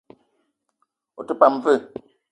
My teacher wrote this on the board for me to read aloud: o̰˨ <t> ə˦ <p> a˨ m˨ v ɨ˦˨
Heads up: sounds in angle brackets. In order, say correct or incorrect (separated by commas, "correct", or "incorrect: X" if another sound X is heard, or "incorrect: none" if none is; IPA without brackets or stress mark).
correct, correct